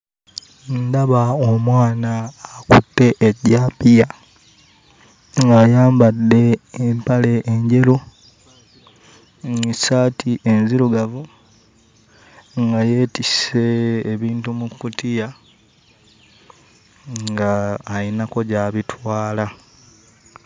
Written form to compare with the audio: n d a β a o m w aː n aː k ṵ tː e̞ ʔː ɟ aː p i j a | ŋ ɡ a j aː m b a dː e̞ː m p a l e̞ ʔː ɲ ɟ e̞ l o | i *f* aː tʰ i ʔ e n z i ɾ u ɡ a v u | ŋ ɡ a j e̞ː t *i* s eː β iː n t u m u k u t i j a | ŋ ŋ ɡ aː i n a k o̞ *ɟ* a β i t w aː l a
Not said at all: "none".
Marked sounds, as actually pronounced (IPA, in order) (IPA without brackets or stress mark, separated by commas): s, i, ɟ